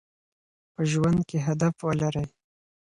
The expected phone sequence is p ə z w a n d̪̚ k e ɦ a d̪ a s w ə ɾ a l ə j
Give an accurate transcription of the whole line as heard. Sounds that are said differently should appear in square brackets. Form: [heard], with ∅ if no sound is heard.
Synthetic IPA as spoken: p ə [ʒ] w a n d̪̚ k e ɦ a d̪ a [f] w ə [l] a [ɾ] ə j